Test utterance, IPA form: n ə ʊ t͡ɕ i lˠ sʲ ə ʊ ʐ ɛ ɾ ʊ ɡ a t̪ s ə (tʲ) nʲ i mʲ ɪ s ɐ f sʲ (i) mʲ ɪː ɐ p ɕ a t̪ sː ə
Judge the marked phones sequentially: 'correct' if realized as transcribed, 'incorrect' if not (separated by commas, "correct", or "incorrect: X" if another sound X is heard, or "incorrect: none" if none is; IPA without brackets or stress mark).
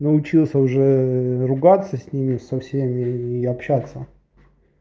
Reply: incorrect: sʲ, incorrect: e